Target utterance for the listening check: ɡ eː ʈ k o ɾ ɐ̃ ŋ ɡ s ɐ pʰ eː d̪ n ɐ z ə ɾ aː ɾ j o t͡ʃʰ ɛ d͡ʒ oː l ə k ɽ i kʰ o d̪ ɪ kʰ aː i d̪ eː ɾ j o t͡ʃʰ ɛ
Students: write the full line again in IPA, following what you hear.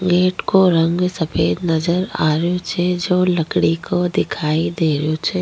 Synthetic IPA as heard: ɡ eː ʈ k o ɾ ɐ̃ ŋ ɡ s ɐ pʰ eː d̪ n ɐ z ə ɾ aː ɾ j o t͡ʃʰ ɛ d͡ʒ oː l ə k ɽ i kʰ o d̪ ɪ kʰ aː i d̪ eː ɾ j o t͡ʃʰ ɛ